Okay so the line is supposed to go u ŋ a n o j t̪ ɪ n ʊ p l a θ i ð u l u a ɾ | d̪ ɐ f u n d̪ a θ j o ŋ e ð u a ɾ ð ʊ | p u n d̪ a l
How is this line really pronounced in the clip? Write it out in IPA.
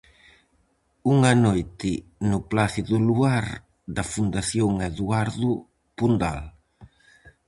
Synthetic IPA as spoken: u ŋ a n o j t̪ ɪ n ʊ p l a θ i ð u l u a ɾ | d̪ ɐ f u n d̪ a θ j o ŋ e ð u a ɾ ð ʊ | p u n d̪ a l